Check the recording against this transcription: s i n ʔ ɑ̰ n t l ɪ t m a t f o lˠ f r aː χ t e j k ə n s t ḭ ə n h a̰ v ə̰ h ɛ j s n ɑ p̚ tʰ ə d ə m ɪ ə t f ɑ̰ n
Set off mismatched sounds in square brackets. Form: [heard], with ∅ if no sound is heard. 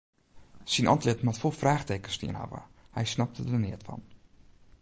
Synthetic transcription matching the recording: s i n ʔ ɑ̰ n t l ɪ t m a t f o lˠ f r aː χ t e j k ə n s t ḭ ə n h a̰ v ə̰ h ɛ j s n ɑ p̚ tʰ ə d ə [n] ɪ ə t f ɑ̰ n